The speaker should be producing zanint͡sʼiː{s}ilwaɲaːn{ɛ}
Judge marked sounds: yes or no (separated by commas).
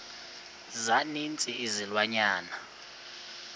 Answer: no, no